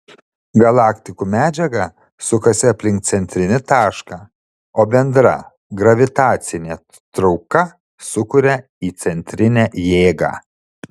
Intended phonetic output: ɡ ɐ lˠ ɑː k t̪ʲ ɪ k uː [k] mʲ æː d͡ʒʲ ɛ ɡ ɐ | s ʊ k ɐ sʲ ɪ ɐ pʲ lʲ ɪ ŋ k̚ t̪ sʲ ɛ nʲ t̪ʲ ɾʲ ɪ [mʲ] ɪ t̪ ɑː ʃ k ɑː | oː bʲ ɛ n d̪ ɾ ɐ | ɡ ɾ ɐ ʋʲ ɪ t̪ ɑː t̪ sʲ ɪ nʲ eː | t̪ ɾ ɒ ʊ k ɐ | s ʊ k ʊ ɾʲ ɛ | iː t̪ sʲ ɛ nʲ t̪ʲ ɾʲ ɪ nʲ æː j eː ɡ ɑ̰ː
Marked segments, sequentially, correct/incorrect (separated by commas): incorrect, incorrect